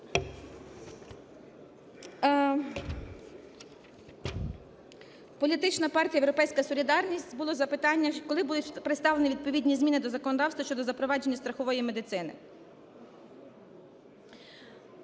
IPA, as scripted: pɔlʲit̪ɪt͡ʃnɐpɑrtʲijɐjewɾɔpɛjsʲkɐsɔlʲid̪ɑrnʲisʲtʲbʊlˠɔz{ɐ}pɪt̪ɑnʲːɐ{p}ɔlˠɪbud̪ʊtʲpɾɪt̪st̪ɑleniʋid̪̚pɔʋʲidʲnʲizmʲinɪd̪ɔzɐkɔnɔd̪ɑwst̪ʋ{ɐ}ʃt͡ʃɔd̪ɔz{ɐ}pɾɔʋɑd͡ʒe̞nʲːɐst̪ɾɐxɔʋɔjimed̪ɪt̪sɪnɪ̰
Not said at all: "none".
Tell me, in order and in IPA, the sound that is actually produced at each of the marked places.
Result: ɐ, k, ɐ, ɐ

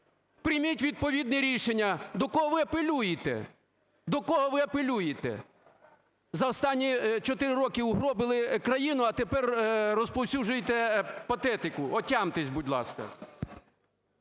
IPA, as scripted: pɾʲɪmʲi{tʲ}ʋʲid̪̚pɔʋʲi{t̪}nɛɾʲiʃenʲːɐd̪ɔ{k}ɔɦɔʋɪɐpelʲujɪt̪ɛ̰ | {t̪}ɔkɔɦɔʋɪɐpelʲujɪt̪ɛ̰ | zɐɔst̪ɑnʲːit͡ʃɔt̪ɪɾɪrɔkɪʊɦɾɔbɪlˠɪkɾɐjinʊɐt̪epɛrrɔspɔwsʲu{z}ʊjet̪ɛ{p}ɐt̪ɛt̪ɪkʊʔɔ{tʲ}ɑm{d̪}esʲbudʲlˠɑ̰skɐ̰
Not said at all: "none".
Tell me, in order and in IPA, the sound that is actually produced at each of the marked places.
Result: tʲ, d̪, k, d̪, ʒ, p, tʲ, t̪

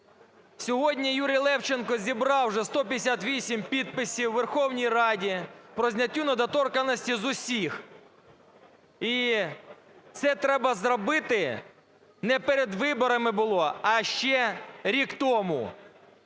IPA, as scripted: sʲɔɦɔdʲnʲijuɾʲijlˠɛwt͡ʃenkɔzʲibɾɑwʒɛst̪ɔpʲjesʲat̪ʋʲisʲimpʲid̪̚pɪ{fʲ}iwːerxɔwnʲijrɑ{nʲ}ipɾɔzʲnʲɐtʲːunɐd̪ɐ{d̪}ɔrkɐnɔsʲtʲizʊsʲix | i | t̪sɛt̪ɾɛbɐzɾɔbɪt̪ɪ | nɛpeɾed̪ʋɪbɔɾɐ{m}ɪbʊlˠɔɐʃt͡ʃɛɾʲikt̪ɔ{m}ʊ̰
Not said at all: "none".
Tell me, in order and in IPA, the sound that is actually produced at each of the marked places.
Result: sʲ, dʲ, t̪, m, m

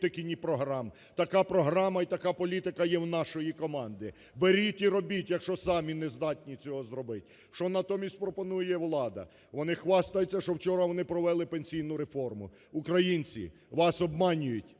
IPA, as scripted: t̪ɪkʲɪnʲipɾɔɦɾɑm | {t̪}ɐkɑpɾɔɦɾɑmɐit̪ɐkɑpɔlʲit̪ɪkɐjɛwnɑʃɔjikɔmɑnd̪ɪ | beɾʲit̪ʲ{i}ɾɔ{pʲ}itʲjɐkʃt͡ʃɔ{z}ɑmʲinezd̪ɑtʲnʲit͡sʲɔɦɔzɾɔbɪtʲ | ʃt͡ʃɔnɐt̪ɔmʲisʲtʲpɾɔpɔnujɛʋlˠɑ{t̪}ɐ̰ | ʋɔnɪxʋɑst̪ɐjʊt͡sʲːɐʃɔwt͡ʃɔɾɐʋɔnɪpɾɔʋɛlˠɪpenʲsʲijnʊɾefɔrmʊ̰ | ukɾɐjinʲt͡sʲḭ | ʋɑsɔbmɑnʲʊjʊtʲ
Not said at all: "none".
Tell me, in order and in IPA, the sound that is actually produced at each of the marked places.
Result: t̪, i, bʲ, s, d̪

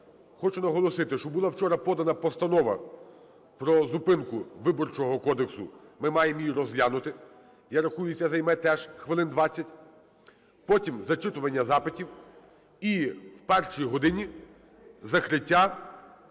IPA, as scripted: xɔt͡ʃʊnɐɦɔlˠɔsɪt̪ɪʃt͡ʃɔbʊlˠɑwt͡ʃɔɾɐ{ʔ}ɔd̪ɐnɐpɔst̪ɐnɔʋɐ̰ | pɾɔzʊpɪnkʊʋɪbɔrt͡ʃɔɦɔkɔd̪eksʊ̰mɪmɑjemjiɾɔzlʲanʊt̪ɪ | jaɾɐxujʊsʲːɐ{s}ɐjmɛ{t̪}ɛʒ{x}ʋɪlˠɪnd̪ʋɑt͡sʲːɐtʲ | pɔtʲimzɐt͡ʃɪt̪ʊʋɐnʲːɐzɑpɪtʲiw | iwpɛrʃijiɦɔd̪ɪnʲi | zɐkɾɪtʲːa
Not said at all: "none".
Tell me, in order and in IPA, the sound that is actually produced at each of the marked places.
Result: p, z, t̪, x

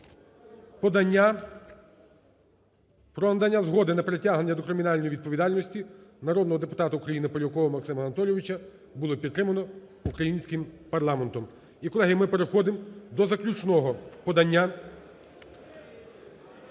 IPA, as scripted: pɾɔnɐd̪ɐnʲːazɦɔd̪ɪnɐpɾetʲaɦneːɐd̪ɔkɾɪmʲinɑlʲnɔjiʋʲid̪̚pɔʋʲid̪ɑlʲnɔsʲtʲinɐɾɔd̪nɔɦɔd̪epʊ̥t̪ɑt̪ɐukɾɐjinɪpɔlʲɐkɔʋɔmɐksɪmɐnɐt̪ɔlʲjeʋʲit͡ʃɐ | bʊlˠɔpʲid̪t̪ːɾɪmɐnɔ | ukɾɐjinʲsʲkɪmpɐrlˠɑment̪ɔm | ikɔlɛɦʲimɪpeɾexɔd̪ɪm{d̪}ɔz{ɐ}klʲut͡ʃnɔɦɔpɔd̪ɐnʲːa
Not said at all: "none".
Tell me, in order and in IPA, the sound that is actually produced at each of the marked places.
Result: d̪, ɐ

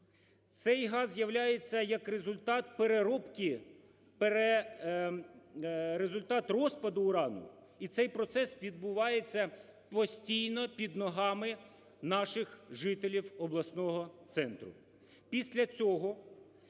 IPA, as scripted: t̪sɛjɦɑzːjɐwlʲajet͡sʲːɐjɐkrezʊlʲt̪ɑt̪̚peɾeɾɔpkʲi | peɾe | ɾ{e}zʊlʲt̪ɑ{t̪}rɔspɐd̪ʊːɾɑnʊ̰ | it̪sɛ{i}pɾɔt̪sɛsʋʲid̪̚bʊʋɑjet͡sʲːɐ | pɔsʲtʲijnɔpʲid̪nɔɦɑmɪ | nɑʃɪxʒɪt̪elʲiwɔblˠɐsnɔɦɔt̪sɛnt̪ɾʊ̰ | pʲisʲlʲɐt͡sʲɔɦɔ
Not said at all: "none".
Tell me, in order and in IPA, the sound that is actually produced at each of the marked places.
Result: e, t̪, j

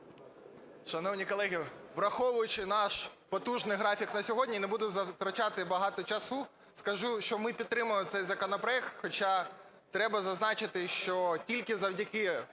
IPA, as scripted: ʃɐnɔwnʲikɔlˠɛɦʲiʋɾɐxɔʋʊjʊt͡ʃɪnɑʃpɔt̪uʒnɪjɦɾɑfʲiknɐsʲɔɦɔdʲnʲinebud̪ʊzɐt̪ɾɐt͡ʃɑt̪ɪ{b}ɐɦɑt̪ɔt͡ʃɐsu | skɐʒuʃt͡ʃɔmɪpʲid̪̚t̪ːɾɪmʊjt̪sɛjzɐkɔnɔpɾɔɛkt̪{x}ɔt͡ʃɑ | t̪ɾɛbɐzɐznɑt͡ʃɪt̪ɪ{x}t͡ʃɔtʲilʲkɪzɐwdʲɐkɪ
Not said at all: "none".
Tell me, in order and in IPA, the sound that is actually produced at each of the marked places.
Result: b, x, ʃ

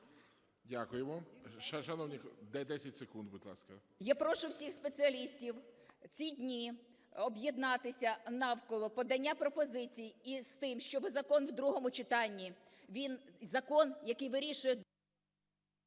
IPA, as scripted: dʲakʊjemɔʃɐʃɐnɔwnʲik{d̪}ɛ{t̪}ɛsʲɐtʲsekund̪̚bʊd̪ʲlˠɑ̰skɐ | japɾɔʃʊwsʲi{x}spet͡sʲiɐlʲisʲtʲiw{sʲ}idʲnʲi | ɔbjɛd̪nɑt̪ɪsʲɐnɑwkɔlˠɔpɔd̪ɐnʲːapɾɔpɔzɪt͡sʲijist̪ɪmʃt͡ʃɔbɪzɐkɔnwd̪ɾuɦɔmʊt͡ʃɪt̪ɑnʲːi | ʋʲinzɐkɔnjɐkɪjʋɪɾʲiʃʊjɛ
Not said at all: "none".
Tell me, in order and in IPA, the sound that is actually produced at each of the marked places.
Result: d̪, d̪, x, t͡sʲ

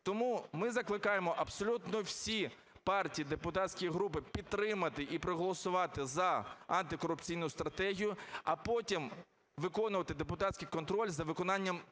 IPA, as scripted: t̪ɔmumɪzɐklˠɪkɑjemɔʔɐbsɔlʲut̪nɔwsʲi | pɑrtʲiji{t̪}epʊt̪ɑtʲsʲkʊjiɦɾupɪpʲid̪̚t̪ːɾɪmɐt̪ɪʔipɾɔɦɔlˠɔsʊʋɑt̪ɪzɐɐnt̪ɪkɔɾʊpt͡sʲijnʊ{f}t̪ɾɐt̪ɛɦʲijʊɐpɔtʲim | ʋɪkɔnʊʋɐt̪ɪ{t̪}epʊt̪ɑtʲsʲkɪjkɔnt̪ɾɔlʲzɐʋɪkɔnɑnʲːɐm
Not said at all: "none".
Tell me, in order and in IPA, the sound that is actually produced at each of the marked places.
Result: d̪, s, d̪

